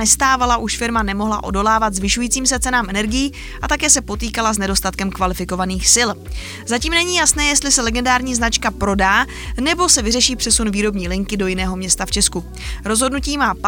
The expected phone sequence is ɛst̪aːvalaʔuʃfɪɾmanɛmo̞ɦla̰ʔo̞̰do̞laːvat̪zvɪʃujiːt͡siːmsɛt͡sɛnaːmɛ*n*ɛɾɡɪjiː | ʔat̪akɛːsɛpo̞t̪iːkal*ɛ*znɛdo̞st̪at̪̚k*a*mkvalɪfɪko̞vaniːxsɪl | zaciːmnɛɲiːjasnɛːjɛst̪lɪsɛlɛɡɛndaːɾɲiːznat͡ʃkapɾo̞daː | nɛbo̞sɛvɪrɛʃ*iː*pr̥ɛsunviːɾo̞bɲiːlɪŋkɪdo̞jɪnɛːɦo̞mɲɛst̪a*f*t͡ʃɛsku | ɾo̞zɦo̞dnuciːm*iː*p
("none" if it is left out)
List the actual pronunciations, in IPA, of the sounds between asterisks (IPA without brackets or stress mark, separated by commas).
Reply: n, a, ɛ, iː, f, aː